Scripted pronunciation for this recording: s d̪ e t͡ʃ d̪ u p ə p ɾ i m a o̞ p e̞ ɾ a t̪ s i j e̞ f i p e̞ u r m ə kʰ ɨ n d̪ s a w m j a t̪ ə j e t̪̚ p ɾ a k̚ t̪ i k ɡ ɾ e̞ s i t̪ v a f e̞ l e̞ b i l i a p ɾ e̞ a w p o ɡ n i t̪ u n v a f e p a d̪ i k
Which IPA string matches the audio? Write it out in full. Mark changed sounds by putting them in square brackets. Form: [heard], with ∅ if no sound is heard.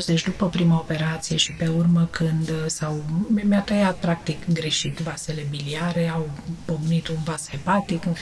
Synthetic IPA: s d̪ e t͡ʃ d̪ u p ə p ɾ i m a o̞ p e̞ ɾ a t̪ s i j e̞ [ʃ] i p e̞ u r m ə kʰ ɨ n d̪ s a w m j a t̪ ə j [a] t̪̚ p ɾ a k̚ t̪ i k ɡ ɾ e̞ [ʃ] i t̪ v a [s] e̞ l e̞ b i l i a [∅] ɾ e̞ a w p o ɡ n i t̪ u n v a [s] e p a [t̪] i k